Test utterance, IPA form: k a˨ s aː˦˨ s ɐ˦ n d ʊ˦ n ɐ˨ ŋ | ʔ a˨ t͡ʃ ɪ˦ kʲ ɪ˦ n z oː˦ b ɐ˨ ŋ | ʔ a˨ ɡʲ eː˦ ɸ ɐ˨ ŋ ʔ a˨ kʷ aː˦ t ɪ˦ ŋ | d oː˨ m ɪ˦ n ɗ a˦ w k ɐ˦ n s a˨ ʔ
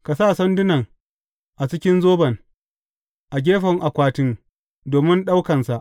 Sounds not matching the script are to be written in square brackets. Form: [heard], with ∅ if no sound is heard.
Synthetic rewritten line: k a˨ s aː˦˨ s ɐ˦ n d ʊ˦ n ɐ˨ ŋ | ʔ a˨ t͡ʃ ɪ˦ kʲ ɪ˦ n z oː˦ b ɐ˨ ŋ | ʔ a˨ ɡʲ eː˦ ɸ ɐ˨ ŋ ʔ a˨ kʷ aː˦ t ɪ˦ ŋ | d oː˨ m ɪ˦ n ɗ a˦ w k [ɐ˨] n s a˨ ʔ